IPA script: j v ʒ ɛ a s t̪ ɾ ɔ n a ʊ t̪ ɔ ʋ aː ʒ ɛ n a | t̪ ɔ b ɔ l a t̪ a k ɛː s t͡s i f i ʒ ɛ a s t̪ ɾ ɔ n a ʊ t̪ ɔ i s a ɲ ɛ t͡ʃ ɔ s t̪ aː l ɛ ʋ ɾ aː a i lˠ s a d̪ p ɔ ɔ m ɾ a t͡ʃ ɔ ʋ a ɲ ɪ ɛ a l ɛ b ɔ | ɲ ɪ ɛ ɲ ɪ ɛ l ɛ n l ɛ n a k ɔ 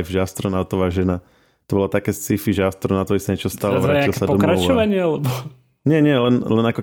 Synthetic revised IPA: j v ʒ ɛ a s t̪ ɾ ɔ n a ʊ t̪ ɔ ʋ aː ʒ ɛ n a | t̪ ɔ b ɔ l a t̪ a k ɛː s t͡s i f i ʒ ɛ a s t̪ ɾ ɔ n a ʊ t̪ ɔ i s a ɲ ɛ t͡ʃ ɔ s t̪ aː l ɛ ʋ ɾ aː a i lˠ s a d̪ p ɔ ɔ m ɾ a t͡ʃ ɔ ʋ a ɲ ɪ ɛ a l ɛ b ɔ | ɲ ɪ ɛ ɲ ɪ ɛ l ɛ n l ɛ n a k ɔ